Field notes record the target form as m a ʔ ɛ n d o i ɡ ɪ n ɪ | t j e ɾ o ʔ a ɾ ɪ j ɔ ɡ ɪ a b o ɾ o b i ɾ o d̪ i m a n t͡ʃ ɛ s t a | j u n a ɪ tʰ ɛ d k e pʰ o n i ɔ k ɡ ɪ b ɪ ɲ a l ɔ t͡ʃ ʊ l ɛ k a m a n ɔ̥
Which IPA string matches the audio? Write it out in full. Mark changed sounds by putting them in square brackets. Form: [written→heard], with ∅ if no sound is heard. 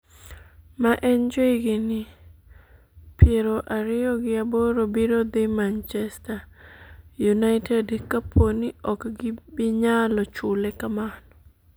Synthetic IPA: m a ʔ ɛ n [d→d͡ʒ] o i ɡ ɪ n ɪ | [t→p] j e ɾ o ʔ a ɾ ɪ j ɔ ɡ ɪ a b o ɾ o b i ɾ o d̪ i m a n t͡ʃ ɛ s t a | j u n a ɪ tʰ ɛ d k [e→a] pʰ o n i ɔ k ɡ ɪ b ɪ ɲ a l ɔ t͡ʃ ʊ l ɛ k a m a n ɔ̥